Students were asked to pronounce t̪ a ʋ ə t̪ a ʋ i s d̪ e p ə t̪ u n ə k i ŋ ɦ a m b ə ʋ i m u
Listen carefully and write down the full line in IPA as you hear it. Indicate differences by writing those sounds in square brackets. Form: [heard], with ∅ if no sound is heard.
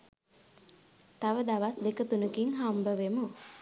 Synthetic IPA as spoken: t̪ a ʋ ə [d̪] a ʋ [a] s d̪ e [k] ə t̪ u n ə k i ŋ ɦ a m b ə ʋ [e] m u